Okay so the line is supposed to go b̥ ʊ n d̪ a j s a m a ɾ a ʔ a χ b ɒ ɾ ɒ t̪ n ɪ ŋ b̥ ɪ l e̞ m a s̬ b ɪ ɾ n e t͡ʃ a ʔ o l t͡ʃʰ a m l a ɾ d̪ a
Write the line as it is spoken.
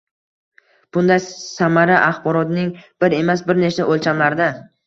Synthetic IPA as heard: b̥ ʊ n d̪ a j s a m a ɾ a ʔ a χ b ɒ ɾ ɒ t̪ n ɪ ŋ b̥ ɪ ɾ e̞ m a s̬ b ɪ ɾ n e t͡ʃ a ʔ o l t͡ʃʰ a m l a ɾ d̪ a